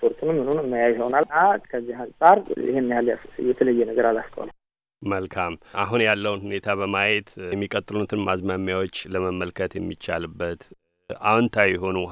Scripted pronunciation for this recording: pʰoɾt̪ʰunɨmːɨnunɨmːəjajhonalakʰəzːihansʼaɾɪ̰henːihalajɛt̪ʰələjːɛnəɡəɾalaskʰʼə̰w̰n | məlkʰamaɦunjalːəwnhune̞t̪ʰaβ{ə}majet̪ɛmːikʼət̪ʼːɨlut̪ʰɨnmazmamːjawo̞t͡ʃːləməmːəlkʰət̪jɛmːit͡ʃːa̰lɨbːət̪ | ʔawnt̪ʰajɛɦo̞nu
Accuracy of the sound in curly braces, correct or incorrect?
correct